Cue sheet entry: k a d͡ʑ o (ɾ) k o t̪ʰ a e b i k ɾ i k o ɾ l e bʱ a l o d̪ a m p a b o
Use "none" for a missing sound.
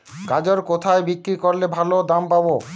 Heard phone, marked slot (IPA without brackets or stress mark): ɾ